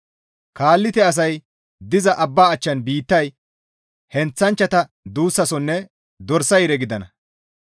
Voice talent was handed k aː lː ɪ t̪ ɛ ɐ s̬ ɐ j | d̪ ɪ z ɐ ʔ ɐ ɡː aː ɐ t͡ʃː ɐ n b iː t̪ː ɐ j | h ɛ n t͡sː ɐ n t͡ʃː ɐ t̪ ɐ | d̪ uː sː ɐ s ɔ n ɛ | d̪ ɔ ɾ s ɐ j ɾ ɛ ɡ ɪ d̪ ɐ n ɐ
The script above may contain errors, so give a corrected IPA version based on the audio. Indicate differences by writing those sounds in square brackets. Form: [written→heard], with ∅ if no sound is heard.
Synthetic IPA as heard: k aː lː ɪ t̪ ɛ ɐ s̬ ɐ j | d̪ ɪ z ɐ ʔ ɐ [ɡː→bː] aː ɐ t͡ʃː ɐ n b iː t̪ː ɐ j | h ɛ n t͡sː ɐ n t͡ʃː ɐ t̪ ɐ | d̪ uː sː ɐ s ɔ [n→nː] ɛ | d̪ ɔ ɾ s ɐ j ɾ ɛ ɡ ɪ d̪ ɐ n ɐ